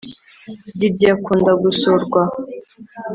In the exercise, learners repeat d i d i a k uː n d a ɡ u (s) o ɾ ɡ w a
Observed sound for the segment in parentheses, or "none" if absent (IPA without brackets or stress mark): s